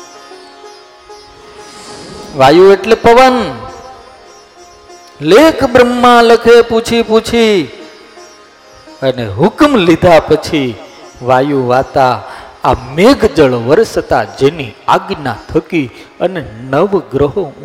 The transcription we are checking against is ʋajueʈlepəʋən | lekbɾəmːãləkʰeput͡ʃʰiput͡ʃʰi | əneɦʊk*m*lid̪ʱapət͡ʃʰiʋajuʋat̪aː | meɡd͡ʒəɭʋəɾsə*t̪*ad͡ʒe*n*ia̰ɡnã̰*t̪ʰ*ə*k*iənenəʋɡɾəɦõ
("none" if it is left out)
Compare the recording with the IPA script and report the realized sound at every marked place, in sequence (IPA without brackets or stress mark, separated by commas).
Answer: m, t̪, n, t̪ʰ, k